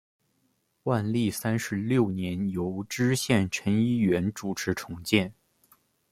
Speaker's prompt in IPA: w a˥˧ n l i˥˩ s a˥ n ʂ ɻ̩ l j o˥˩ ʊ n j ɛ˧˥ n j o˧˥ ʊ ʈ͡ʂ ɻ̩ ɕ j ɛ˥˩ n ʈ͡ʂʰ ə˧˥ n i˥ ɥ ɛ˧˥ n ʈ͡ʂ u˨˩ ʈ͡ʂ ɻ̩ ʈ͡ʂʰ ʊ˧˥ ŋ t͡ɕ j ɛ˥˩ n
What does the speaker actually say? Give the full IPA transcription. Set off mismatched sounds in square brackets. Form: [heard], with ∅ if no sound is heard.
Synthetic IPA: w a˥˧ n l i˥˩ s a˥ n ʂ ɻ̩ l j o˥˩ ʊ n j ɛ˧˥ n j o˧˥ ʊ ʈ͡ʂ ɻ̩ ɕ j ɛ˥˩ n ʈ͡ʂʰ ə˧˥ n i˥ ɥ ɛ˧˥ n ʈ͡ʂ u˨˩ [ʈ͡ʂʰ] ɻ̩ ʈ͡ʂʰ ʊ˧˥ ŋ t͡ɕ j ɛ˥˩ n